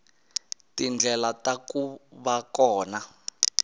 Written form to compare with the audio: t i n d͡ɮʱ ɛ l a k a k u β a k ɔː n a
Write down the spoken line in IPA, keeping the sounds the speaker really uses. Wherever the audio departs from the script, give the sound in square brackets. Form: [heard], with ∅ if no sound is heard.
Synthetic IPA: t i n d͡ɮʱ ɛ l a [t] a k u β a k ɔː n a